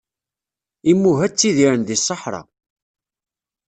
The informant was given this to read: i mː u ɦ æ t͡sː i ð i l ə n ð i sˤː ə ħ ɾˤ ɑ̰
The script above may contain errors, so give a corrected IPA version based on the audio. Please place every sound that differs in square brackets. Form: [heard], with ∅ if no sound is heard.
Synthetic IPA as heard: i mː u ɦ æ t͡sː i ð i [ɾ] ə n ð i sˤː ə ħ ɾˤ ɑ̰